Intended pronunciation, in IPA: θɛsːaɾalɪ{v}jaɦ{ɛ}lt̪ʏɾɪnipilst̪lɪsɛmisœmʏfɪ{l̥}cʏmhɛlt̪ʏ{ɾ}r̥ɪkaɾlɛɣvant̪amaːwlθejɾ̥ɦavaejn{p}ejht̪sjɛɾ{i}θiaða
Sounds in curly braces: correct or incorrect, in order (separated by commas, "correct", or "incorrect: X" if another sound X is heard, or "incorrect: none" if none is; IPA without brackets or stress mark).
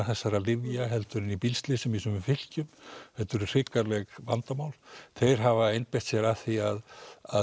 correct, correct, correct, correct, correct, incorrect: a